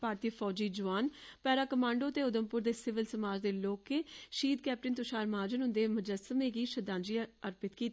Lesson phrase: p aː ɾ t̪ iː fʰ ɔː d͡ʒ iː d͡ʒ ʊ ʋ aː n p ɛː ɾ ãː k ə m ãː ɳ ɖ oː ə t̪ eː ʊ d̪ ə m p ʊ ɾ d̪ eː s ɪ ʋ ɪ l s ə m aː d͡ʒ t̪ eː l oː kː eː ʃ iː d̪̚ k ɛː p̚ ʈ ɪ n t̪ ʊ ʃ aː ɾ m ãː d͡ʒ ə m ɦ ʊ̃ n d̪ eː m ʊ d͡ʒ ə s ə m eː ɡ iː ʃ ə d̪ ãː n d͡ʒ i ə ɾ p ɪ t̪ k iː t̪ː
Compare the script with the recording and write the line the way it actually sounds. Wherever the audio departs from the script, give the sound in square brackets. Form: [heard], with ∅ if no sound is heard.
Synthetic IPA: p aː ɾ t̪ iː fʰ ɔː d͡ʒ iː d͡ʒ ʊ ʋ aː n p ɛː ɾ [aː] k ə m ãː ɳ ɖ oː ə t̪ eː ʊ d̪ ə m p ʊ ɾ d̪ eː s ɪ ʋ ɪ l s ə m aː d͡ʒ [d̪] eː l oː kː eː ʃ iː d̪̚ k ɛː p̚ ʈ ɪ n t̪ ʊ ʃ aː ɾ m [aː] d͡ʒ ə [n] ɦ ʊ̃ n d̪ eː m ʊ d͡ʒ ə s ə m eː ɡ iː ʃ ə d̪ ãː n d͡ʒ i ə ɾ p ɪ t̪ k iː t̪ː